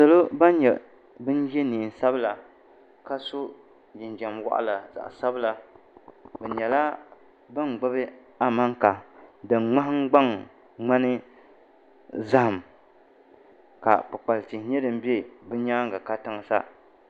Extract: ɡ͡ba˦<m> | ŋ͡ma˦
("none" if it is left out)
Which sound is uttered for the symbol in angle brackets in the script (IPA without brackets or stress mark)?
ŋ